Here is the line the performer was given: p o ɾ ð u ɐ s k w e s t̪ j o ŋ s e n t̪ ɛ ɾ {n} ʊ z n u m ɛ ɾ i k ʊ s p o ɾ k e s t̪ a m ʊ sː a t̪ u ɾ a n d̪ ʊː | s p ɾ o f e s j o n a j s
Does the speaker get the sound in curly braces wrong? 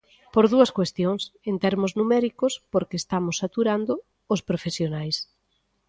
yes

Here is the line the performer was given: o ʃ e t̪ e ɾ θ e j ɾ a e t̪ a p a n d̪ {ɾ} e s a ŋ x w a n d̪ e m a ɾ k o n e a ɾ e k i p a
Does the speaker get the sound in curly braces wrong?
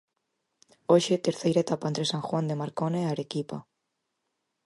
no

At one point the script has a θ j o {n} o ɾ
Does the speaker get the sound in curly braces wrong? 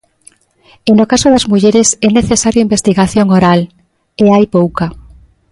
yes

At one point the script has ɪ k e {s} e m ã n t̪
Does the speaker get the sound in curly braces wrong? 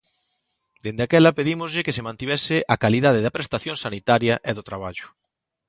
no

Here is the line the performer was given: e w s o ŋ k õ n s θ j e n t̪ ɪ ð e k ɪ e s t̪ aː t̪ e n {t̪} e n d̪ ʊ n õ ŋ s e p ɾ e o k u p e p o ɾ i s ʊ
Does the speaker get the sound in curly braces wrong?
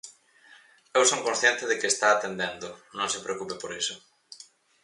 yes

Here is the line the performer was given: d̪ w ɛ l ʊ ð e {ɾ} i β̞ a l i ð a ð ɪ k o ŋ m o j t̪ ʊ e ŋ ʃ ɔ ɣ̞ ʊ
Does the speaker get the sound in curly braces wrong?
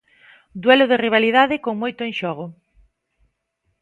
yes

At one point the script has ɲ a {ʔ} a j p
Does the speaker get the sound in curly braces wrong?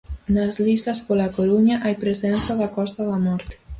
no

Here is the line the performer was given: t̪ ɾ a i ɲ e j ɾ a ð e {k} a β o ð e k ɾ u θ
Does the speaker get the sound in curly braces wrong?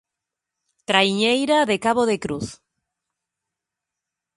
no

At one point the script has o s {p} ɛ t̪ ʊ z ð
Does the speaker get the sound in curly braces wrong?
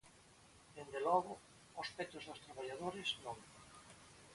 no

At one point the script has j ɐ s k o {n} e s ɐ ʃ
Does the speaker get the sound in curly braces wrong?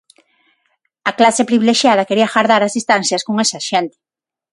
yes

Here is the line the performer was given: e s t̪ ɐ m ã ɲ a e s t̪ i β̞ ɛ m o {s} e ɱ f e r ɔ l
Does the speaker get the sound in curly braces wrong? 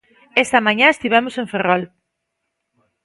no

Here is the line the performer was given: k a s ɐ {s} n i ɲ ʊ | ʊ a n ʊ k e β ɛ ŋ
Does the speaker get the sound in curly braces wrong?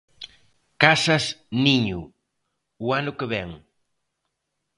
no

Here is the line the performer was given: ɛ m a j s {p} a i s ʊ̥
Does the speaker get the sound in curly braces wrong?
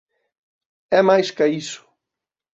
yes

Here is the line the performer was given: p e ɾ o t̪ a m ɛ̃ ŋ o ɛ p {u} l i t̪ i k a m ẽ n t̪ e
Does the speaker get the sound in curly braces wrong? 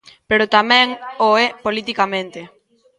yes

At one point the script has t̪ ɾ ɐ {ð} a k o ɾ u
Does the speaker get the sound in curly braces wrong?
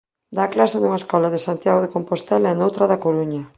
no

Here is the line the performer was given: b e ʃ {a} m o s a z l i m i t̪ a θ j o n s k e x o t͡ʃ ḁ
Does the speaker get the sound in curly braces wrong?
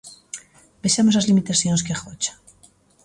no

